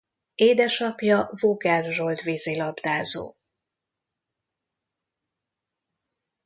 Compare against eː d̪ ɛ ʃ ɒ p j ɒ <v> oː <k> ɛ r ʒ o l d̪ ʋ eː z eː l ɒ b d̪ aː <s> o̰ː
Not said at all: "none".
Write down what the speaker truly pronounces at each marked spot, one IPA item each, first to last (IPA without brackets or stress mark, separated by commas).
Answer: v, ɡ, z